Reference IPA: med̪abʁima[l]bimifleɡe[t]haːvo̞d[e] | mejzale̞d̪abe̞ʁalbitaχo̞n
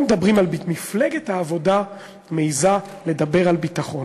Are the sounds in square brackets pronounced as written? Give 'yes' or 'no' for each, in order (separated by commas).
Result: yes, yes, no